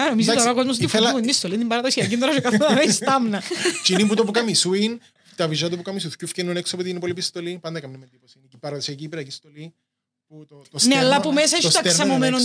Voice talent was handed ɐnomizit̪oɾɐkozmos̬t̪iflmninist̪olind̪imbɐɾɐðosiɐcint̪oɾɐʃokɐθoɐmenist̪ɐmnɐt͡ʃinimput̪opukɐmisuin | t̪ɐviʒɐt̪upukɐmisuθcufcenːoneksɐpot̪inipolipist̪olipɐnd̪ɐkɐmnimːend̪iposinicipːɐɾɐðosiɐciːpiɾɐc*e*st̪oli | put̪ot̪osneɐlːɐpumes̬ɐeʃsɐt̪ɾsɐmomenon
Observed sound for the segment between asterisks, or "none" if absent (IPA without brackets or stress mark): i